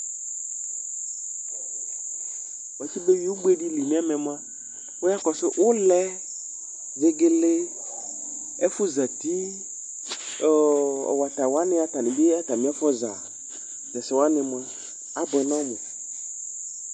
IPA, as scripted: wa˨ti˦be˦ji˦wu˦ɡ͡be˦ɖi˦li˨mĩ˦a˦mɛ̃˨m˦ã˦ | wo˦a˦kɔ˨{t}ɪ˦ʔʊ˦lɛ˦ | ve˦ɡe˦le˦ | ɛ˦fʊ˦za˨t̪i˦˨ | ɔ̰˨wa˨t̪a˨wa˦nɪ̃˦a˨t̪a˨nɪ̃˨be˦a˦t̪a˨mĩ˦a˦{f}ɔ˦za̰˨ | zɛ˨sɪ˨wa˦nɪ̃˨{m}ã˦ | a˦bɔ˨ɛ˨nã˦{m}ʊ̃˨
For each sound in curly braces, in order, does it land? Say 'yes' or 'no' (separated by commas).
no, yes, yes, yes